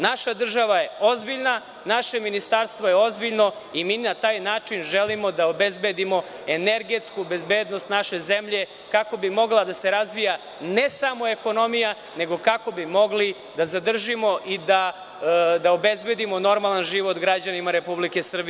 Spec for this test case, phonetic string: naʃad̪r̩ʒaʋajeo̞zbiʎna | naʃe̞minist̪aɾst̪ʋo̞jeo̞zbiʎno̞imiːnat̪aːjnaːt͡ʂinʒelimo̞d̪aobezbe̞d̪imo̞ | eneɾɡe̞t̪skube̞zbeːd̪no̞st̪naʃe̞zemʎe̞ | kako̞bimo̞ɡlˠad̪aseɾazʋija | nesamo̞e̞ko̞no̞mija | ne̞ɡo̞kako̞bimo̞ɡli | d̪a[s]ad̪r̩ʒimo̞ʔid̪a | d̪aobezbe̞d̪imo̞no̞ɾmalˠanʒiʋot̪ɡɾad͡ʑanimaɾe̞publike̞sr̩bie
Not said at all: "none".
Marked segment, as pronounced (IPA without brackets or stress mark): z